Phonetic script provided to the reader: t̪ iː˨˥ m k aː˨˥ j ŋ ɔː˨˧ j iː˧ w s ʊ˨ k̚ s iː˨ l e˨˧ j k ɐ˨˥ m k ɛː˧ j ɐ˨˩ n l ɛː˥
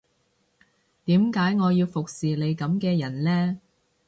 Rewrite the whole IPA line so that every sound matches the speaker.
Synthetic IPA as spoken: t̪ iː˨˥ m k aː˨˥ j ŋ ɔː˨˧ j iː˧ w f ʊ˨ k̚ s iː˨ l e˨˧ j k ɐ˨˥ m k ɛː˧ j ɐ˨˩ n l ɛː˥

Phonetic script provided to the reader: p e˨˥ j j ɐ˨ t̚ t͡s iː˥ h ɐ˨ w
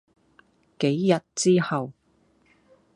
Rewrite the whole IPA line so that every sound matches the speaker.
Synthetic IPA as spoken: k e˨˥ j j ɐ˨ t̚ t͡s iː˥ h ɐ˨ w

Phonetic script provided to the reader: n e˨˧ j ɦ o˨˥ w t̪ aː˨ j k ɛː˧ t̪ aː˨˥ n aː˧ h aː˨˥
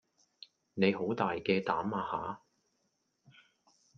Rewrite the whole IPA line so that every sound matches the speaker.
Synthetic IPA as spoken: n e˨˧ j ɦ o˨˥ w t̪ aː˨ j k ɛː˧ t̪ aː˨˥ m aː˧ h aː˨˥

